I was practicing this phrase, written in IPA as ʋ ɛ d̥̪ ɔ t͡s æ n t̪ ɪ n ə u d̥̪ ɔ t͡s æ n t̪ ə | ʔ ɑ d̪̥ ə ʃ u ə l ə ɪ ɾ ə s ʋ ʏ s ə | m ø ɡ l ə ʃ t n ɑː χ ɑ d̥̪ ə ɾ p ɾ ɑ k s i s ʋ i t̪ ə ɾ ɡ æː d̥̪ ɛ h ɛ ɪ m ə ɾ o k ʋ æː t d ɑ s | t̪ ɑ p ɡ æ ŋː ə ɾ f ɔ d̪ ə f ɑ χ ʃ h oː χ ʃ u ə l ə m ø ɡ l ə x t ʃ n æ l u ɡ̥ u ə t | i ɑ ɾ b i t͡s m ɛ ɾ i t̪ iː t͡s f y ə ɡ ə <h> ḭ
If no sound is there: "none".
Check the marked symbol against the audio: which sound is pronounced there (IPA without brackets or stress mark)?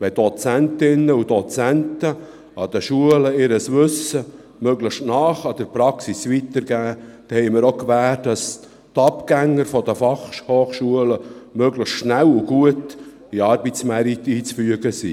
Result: s